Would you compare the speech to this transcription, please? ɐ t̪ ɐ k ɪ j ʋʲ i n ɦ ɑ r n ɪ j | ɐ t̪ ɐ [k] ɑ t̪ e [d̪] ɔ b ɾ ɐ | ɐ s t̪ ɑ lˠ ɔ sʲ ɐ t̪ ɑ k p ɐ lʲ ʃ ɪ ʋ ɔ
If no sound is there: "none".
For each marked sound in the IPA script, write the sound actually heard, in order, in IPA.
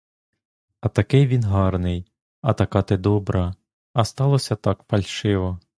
k, d̪

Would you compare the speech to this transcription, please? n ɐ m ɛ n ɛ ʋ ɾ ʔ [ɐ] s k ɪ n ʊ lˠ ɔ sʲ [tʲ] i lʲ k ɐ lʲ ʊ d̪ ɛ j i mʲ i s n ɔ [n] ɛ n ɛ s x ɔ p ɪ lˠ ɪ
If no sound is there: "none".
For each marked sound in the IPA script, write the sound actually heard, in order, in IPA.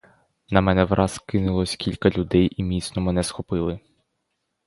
ɑ, kʲ, m

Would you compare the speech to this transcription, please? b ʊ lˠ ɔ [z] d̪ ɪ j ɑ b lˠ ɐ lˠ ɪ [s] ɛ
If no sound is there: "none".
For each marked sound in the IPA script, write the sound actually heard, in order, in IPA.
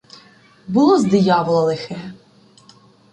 z, x

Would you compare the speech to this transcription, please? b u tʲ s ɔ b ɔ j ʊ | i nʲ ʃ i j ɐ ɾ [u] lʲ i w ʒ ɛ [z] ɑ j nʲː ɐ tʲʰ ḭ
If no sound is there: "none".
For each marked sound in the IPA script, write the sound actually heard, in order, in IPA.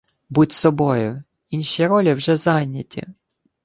ɔ, z

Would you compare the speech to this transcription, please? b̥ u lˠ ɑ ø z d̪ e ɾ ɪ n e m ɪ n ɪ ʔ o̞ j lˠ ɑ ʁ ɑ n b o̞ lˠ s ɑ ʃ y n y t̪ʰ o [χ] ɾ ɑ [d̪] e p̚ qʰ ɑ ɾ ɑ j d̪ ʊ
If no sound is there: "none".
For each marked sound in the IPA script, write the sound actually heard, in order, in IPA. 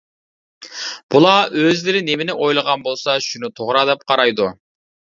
ʁ, d̪

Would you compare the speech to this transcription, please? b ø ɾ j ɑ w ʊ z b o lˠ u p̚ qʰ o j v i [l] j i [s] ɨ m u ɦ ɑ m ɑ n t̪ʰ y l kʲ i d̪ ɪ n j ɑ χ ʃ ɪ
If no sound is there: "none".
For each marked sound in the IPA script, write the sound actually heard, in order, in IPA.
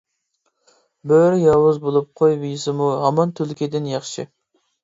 none, s

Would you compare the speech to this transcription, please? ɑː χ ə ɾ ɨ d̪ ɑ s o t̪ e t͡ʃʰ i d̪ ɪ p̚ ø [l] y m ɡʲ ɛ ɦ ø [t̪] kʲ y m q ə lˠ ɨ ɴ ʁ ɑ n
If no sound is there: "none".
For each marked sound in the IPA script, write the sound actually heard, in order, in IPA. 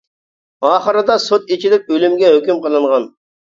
l, none

